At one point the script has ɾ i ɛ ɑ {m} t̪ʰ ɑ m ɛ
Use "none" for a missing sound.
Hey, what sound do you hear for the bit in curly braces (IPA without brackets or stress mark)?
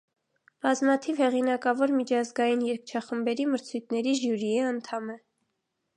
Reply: n